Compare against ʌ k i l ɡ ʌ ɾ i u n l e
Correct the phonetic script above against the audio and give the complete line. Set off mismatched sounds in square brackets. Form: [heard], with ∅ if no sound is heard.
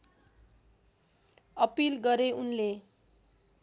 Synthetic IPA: ʌ [p] i l ɡ ʌ ɾ [e] u n l e